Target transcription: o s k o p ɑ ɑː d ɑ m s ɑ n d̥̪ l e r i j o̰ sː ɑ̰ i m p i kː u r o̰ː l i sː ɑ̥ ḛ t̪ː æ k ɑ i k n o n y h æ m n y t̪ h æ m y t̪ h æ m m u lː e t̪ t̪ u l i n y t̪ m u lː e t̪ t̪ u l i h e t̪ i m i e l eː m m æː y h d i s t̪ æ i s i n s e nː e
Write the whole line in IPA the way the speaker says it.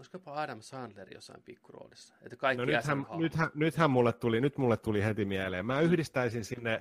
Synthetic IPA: o s k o p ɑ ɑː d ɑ m s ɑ n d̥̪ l e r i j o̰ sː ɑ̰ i m p i kː u r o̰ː l i sː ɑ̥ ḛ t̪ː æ k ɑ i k n o n y h æ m n y t̪ h æ n y t̪ h æ m m u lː e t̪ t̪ u l i n y t̪ m u lː e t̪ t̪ u l i h e t̪ i m i æ l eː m m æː y h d i s t̪ æ i s i n s i nː e